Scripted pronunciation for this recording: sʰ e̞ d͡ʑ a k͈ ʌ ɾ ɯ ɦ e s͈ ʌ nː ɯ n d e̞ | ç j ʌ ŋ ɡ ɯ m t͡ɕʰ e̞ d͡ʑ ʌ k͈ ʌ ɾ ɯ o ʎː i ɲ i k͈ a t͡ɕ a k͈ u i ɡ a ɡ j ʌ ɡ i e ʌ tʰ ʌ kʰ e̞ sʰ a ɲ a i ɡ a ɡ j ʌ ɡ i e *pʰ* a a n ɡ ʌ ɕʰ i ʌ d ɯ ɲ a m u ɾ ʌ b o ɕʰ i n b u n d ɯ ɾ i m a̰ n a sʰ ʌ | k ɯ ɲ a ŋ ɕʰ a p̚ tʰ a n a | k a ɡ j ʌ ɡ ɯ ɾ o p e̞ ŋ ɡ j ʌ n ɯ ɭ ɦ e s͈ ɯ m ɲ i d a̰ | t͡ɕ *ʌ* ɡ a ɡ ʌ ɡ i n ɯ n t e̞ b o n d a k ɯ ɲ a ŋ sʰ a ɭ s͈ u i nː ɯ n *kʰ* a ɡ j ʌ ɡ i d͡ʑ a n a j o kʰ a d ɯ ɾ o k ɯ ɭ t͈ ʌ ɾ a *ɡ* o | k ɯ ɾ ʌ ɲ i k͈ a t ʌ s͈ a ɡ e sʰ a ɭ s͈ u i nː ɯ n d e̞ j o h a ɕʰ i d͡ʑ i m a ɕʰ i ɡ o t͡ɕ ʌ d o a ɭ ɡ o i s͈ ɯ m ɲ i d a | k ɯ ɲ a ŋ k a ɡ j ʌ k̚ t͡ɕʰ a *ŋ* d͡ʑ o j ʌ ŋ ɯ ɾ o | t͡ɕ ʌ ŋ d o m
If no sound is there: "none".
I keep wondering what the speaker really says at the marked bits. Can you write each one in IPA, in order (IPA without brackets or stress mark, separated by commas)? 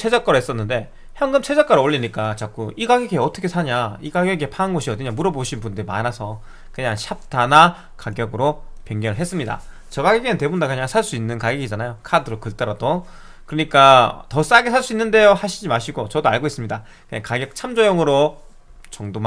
pʰ, ʌ, k, d, m